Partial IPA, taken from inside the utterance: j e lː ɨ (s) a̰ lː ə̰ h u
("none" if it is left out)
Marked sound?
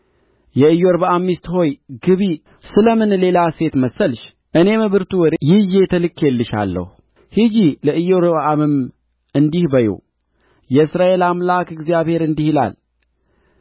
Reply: ʃ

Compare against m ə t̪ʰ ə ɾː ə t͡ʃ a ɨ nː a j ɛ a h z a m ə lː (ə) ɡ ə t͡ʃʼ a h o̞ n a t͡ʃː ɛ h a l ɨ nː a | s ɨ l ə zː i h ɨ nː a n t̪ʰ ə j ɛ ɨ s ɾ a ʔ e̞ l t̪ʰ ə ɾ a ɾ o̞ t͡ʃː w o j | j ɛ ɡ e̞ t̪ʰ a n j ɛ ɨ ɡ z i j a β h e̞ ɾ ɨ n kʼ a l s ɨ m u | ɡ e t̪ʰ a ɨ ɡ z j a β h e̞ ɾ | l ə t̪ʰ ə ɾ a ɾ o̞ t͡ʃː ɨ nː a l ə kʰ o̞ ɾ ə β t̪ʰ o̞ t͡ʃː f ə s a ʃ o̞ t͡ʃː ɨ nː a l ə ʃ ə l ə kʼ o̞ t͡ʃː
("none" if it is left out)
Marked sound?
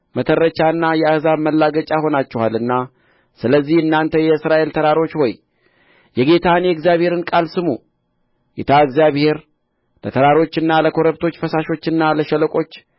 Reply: a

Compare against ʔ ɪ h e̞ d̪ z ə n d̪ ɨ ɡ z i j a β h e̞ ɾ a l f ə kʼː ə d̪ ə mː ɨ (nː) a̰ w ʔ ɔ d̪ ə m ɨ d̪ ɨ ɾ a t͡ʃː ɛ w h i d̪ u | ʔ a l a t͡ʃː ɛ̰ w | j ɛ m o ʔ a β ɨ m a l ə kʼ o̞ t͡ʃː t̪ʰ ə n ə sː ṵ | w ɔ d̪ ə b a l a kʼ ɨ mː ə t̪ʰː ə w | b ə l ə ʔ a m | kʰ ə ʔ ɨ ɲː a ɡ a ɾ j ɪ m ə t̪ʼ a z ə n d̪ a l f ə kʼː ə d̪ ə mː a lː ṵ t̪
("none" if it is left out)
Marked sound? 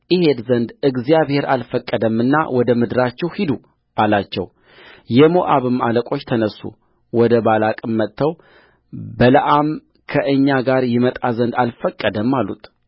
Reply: nː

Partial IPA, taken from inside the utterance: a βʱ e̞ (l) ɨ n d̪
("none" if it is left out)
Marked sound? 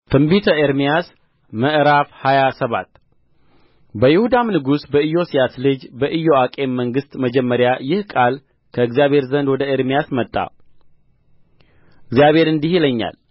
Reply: ɾ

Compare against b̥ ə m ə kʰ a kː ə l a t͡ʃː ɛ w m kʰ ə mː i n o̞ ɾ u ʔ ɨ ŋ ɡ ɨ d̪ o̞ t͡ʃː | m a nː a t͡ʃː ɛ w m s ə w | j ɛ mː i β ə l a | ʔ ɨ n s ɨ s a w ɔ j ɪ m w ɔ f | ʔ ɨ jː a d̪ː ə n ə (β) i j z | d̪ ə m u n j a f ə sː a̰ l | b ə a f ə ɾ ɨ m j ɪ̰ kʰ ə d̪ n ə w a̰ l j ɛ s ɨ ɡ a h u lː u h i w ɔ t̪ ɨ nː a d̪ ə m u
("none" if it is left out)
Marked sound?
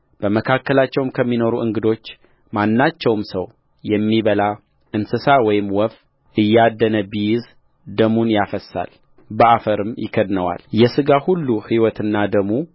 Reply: b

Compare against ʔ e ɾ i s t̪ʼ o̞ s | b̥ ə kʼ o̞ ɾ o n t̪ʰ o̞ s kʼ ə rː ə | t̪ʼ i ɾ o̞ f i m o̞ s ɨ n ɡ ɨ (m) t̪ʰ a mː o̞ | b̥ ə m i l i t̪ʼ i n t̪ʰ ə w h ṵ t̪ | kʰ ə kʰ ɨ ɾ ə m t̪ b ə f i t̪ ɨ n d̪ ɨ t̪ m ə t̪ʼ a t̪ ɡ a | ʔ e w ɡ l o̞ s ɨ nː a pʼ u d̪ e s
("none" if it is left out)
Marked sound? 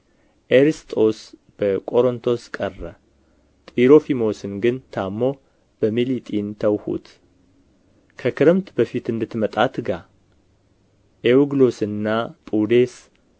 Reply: n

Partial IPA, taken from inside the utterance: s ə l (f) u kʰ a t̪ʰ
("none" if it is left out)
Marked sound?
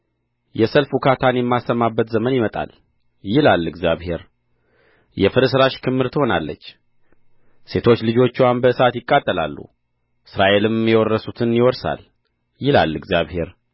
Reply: f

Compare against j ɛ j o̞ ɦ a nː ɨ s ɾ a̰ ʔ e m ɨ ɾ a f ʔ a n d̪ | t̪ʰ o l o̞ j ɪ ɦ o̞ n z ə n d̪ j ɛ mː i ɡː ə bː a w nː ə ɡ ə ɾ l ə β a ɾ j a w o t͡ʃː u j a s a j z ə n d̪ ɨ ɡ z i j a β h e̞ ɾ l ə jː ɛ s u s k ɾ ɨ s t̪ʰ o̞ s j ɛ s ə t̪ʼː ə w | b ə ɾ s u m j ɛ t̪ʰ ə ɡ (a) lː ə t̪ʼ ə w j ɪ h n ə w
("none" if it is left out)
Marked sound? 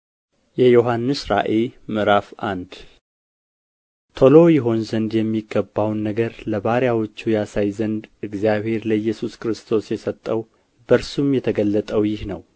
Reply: ə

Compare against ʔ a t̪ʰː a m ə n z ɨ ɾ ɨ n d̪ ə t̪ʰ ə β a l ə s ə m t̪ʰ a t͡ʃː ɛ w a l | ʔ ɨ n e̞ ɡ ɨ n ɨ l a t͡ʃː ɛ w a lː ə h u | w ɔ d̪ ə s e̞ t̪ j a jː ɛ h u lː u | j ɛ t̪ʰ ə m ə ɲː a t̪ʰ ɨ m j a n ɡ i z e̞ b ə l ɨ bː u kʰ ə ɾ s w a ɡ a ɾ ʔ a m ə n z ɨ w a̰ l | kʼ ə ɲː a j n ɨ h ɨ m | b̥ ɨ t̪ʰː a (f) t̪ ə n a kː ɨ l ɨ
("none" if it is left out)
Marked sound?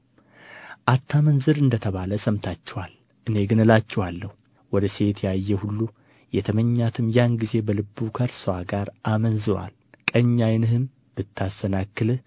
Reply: s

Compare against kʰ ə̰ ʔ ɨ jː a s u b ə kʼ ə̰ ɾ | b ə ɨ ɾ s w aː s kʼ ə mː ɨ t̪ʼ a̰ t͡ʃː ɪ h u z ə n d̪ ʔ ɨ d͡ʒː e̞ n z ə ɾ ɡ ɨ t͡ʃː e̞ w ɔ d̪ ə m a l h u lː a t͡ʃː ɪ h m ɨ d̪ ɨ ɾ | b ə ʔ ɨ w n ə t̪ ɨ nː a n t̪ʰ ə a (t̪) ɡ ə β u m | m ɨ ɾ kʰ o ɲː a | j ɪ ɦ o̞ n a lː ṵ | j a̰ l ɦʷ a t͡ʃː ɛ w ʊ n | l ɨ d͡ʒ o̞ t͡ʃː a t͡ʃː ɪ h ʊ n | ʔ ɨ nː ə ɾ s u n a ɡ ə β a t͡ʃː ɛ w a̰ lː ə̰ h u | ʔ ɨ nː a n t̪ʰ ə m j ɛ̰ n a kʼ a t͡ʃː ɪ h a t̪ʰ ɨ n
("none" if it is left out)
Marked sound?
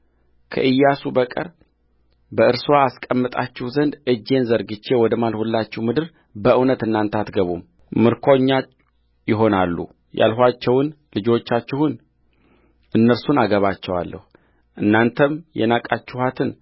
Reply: t̪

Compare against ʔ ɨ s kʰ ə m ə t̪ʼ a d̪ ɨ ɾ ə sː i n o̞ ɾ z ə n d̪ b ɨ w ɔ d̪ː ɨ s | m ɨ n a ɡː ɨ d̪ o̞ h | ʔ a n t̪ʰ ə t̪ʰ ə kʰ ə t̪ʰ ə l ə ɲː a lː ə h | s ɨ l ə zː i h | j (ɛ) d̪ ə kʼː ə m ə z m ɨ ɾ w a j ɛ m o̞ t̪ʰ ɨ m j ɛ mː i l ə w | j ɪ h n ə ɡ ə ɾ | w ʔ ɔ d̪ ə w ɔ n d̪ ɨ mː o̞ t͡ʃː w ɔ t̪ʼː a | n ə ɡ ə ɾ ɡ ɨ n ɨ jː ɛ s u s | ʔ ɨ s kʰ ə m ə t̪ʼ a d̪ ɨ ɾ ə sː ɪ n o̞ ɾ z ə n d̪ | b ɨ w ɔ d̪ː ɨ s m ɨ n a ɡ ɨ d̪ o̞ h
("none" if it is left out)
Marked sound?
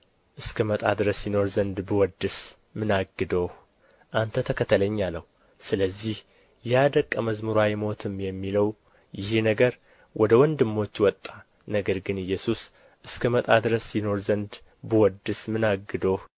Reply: a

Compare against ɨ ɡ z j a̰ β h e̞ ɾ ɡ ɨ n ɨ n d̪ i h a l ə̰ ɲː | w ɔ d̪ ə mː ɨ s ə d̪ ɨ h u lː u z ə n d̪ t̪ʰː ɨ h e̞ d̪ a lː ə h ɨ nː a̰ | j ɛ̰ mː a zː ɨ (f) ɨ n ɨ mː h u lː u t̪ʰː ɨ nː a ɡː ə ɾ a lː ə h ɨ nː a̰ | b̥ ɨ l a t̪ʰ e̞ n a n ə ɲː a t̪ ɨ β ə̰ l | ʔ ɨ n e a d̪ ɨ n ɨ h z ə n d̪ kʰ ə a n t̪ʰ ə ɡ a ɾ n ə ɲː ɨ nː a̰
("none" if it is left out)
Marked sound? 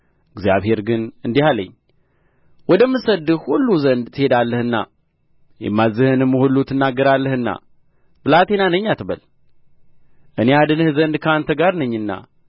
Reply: h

